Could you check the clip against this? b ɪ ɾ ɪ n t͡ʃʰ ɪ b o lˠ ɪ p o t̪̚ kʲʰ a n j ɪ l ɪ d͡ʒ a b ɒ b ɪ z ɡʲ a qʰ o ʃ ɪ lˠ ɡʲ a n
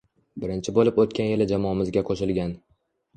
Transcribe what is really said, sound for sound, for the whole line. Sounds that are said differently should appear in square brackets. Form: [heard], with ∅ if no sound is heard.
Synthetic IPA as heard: b ɪ ɾ ɪ n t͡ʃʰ ɪ b o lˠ ɪ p o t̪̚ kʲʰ a n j ɪ l ɪ d͡ʒ a [m] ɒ [m] ɪ z ɡʲ a qʰ o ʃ ɪ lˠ ɡʲ a n